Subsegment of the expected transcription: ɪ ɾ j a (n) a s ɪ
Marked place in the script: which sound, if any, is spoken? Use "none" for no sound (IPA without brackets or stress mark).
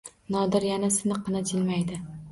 n